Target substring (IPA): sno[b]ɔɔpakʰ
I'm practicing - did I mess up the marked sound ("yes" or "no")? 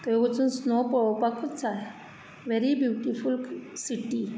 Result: yes